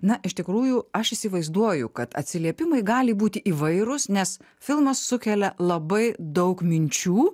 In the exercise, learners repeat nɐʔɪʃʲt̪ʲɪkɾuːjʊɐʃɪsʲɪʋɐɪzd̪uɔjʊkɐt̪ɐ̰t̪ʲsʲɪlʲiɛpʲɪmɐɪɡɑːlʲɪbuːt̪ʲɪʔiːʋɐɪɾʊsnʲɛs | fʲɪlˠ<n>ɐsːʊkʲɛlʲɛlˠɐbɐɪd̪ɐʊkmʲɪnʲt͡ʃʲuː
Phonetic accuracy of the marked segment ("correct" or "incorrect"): incorrect